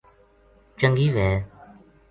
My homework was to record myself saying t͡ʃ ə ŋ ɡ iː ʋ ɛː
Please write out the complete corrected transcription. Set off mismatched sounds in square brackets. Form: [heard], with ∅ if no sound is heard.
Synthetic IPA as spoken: t͡ʃ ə ŋ ɡ iː ʋ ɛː